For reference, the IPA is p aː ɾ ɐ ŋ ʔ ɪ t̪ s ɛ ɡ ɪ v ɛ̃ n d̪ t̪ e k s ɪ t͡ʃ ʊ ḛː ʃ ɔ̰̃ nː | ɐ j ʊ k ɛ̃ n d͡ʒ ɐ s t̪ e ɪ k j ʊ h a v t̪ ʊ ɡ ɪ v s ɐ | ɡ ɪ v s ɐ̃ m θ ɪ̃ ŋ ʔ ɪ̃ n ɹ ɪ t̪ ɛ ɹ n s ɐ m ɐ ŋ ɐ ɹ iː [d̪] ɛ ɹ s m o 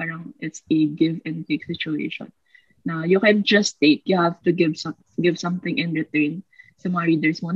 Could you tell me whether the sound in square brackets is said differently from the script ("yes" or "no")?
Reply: no